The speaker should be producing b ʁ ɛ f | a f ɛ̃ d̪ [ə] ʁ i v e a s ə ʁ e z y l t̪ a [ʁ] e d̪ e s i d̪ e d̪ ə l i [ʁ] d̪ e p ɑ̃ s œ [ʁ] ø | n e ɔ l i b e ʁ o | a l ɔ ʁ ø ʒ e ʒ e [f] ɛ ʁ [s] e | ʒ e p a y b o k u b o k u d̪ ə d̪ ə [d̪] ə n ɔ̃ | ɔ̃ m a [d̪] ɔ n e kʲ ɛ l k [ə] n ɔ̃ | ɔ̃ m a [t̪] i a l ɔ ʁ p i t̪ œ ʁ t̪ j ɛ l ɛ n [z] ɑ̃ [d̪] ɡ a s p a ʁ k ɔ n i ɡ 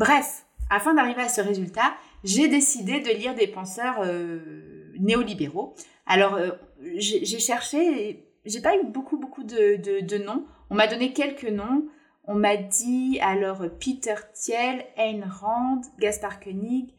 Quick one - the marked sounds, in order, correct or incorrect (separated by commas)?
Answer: incorrect, incorrect, correct, correct, incorrect, incorrect, correct, correct, correct, incorrect, incorrect, correct